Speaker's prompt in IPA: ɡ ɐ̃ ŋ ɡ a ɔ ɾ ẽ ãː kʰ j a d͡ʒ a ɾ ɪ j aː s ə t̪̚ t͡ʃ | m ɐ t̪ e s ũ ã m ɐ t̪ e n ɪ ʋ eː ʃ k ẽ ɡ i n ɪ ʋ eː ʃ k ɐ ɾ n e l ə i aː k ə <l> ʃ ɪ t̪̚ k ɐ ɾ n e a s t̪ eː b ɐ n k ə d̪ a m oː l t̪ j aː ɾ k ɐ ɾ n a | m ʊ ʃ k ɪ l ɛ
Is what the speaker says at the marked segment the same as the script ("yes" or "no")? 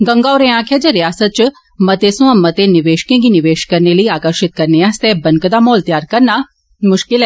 no